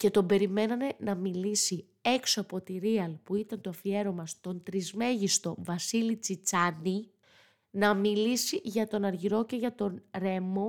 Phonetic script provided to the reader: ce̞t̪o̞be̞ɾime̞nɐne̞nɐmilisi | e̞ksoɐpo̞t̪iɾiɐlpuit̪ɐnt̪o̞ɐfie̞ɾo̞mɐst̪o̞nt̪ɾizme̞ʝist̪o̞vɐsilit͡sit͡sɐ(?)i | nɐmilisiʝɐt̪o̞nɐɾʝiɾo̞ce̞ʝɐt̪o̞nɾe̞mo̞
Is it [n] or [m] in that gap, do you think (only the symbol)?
n